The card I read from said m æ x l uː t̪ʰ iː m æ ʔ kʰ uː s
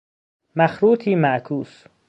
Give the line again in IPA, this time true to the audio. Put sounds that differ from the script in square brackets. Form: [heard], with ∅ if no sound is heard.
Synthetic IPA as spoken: m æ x [ɾ] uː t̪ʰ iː m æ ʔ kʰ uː s